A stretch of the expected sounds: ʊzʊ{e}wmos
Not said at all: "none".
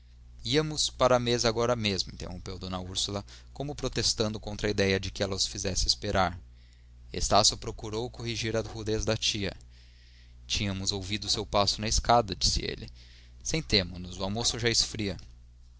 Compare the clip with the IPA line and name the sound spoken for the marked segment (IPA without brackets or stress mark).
a